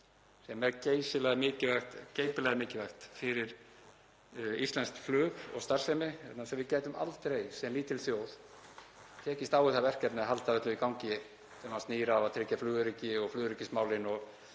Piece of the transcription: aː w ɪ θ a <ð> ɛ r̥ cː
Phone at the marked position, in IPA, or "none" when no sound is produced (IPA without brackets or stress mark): v